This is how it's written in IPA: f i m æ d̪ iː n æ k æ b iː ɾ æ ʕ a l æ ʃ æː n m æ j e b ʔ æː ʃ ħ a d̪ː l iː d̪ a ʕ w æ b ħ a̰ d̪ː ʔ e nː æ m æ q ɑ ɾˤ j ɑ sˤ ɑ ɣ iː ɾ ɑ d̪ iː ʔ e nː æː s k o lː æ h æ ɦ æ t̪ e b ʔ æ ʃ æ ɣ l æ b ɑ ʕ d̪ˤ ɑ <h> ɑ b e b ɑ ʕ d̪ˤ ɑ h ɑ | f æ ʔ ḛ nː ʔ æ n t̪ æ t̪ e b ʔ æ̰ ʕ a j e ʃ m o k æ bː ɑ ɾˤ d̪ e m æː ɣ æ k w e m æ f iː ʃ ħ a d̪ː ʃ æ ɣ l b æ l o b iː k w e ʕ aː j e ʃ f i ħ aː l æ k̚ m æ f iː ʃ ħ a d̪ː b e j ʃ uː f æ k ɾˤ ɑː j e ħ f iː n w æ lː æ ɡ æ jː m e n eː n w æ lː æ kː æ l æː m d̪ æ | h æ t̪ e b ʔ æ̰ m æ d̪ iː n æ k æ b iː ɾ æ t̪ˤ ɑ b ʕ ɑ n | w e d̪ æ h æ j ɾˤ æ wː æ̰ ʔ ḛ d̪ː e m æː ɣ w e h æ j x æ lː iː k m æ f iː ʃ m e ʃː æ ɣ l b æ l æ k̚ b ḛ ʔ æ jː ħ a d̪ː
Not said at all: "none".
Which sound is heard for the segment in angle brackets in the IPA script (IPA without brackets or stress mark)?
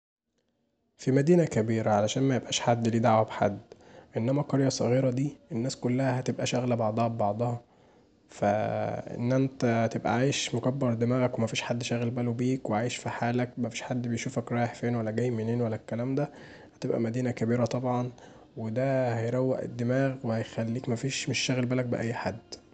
h